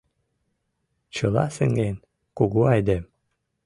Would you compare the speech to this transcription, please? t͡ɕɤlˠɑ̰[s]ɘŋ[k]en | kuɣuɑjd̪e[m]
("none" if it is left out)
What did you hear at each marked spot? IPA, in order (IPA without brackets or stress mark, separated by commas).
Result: s, ɡ, m